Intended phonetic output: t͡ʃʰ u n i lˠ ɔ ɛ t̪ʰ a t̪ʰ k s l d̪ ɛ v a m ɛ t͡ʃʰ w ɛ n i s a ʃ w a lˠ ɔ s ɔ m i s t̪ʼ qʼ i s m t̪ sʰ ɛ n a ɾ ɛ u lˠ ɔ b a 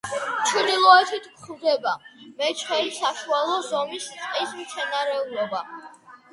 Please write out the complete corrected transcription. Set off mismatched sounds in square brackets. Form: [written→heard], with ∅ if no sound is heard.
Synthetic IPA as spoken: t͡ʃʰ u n i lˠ ɔ ɛ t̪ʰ [a→i] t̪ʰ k [s→χ] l d̪ ɛ [v→b] a m ɛ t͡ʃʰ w ɛ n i s a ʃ [w→u] a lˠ ɔ [s→z] ɔ m i s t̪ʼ qʼ i s m t̪ sʰ ɛ n a ɾ ɛ u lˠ ɔ b a